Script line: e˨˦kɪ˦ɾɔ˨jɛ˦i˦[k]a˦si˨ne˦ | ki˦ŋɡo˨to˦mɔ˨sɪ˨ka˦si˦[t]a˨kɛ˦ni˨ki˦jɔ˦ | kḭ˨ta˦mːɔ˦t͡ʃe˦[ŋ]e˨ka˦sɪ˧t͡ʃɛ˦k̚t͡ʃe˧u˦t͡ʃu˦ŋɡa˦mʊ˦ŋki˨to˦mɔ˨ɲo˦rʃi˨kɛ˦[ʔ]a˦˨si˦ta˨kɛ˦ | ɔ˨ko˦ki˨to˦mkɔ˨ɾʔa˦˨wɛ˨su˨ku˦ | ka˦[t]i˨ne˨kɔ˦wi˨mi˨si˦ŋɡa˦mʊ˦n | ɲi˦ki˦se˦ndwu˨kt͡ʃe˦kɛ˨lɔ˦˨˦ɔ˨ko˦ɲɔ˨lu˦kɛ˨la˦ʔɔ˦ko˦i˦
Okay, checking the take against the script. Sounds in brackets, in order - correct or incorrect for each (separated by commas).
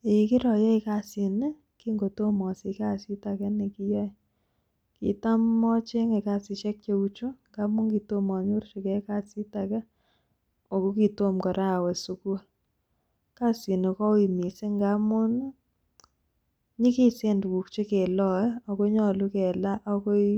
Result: correct, correct, correct, incorrect, incorrect